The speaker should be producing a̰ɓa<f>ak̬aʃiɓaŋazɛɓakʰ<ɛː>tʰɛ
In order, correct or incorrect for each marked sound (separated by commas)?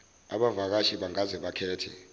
incorrect, correct